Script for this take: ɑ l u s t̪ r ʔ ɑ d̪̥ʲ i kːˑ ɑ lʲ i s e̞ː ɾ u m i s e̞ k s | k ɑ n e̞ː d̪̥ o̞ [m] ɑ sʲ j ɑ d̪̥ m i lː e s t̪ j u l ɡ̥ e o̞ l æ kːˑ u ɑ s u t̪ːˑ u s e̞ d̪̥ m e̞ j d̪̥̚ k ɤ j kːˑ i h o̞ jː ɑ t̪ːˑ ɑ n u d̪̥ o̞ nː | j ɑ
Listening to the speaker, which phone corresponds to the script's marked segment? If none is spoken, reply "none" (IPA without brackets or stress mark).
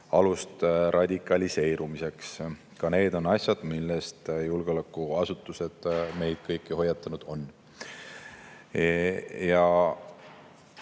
n